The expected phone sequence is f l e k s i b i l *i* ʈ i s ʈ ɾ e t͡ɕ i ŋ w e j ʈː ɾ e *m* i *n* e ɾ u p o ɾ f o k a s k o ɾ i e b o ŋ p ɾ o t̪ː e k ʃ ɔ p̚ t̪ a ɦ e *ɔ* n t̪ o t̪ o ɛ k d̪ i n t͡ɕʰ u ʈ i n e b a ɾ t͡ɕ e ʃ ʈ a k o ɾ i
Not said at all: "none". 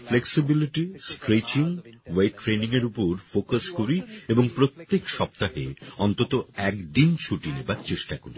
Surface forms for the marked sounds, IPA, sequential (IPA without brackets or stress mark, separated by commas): i, n, ŋ, ɔ